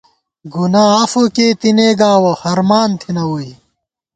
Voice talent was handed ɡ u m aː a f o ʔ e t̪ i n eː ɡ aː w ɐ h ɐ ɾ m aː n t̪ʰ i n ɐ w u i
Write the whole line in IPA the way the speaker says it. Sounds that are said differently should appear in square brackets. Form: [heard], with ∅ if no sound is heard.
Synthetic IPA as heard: ɡ u [n] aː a f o [k] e t̪ i n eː ɡ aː w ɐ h ɐ ɾ m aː n t̪ʰ i n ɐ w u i